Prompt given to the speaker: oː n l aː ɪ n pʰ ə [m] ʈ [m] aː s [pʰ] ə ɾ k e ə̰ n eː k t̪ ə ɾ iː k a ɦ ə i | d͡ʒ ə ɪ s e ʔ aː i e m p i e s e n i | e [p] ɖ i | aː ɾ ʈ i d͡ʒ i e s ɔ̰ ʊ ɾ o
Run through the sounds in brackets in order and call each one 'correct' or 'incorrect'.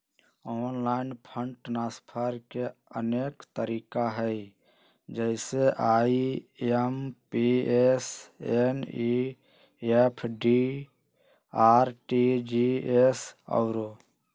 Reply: incorrect: ɳ, incorrect: n, correct, incorrect: pʰ

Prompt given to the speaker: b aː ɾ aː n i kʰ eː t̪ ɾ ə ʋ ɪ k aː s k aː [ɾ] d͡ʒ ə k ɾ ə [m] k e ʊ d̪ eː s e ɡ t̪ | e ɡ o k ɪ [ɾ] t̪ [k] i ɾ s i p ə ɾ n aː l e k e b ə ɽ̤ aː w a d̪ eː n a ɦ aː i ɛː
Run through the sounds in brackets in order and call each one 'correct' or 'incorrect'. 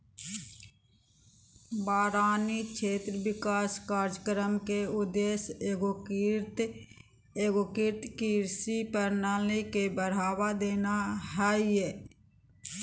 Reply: correct, correct, correct, correct

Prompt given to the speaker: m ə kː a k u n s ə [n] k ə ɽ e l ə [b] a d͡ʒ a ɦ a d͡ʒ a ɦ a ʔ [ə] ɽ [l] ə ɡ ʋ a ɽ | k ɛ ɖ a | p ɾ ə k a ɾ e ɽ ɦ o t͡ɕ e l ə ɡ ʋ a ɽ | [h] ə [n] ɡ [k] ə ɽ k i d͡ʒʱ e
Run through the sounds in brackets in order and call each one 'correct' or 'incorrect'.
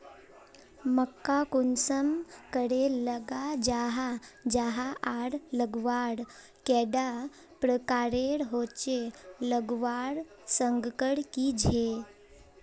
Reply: incorrect: m, incorrect: ɡ, incorrect: a, correct, incorrect: s, incorrect: ŋ, correct

